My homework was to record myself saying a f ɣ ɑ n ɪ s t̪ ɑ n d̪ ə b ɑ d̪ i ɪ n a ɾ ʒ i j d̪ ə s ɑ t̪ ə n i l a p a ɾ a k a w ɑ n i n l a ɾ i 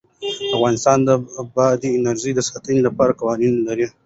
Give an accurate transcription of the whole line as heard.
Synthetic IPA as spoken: a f ɣ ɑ n ɪ s t̪ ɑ n d̪ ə b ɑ d̪ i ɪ n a ɾ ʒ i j d̪ ə s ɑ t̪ ə n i l a p ɑ ɾ a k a w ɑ n i n l a ɾ i